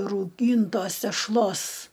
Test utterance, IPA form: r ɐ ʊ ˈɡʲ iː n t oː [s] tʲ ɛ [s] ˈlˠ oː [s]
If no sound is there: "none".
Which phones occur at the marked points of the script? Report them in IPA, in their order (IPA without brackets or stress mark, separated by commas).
s, ʃ, s